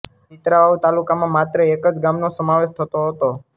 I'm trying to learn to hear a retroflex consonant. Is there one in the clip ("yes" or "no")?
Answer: no